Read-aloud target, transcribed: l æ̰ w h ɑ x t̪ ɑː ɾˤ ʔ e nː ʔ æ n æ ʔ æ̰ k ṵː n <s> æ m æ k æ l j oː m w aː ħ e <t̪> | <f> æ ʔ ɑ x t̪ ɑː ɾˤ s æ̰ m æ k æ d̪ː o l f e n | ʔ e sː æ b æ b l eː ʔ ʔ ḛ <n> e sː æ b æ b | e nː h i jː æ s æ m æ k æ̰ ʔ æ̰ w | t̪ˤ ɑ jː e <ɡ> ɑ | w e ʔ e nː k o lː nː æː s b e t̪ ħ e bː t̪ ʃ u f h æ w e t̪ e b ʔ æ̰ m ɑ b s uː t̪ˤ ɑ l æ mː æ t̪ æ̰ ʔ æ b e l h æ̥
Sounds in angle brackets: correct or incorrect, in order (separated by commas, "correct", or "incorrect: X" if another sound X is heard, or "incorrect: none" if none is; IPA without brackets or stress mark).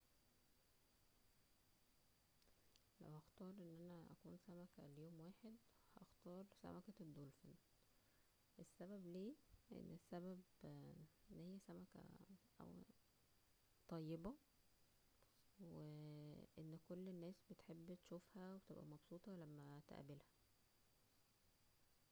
correct, incorrect: d̪, incorrect: h, incorrect: nː, incorrect: b